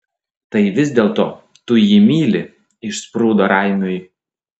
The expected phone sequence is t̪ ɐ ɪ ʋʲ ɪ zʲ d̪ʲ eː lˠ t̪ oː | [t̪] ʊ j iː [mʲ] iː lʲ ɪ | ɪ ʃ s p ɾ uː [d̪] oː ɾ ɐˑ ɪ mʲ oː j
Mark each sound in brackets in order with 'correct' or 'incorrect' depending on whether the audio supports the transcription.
correct, correct, correct

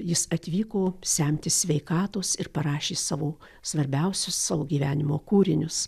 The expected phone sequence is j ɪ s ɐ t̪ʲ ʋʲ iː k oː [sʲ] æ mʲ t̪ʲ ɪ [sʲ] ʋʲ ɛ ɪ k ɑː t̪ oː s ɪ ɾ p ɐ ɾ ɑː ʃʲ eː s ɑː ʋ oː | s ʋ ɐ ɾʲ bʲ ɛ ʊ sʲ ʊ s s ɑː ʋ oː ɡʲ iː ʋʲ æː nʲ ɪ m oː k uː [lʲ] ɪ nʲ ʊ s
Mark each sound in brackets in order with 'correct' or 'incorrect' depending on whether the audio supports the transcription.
correct, correct, incorrect: ɾʲ

